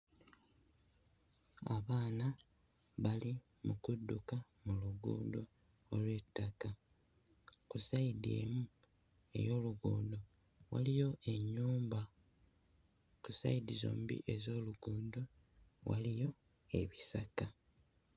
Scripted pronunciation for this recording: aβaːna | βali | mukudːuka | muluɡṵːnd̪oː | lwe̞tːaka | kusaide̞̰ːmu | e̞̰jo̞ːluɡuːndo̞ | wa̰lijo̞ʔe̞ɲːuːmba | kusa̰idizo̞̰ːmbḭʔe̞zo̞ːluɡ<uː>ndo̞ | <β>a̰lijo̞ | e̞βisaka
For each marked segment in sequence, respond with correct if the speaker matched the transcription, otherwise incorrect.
correct, incorrect

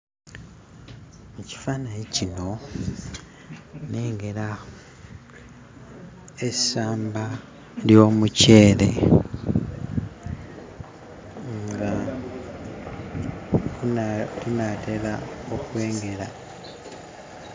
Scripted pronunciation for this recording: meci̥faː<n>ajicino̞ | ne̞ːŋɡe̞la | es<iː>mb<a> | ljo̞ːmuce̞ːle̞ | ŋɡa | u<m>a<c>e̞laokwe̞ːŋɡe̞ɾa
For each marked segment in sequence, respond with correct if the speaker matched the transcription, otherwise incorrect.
correct, incorrect, correct, incorrect, incorrect

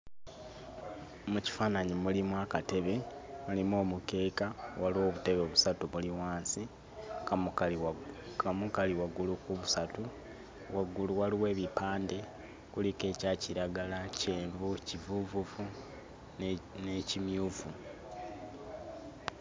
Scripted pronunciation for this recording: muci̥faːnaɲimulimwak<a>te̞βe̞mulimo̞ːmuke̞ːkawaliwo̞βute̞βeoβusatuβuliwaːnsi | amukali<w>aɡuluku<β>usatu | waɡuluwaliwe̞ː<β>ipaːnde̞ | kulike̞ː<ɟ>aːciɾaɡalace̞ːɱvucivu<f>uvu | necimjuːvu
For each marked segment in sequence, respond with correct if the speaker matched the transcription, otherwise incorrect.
correct, correct, correct, correct, incorrect, incorrect

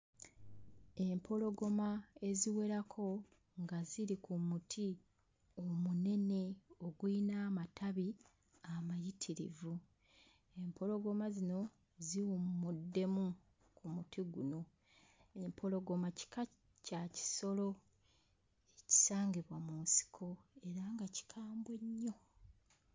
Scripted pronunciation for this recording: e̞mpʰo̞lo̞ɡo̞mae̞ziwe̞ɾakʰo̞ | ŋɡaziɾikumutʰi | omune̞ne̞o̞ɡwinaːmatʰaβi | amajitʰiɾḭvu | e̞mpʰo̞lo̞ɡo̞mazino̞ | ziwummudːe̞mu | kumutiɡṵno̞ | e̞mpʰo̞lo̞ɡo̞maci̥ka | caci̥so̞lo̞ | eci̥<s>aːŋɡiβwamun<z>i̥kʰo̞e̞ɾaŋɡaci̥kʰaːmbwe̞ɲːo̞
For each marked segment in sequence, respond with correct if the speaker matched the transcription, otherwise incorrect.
correct, incorrect

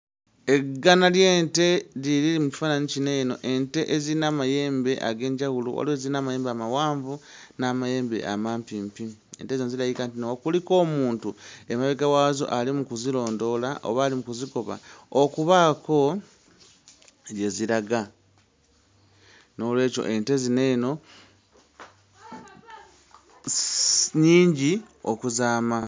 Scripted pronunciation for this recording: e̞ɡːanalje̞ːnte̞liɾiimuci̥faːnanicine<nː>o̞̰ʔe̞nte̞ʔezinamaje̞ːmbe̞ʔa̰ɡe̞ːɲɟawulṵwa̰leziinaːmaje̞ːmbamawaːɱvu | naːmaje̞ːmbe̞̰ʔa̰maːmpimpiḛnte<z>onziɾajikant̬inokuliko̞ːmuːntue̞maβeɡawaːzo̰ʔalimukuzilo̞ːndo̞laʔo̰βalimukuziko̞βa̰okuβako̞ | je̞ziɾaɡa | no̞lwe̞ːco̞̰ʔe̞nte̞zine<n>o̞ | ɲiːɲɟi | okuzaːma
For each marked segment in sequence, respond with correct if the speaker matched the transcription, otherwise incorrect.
incorrect, correct, correct

